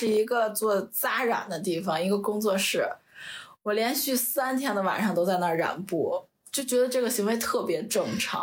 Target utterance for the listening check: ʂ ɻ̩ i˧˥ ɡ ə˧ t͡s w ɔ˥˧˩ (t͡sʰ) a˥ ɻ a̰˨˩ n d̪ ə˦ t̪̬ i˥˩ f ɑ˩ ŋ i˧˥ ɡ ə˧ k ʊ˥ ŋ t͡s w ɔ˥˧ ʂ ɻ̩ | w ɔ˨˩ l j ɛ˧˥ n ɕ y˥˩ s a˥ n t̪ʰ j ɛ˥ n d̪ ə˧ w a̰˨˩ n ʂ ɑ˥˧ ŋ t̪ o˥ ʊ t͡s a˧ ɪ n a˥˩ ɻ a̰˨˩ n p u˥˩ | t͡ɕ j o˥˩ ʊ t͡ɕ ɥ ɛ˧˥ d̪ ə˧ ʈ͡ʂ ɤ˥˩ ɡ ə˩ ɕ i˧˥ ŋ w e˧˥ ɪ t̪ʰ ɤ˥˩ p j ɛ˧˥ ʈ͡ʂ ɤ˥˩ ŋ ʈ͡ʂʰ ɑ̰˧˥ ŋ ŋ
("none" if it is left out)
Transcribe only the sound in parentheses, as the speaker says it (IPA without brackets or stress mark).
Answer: t͡s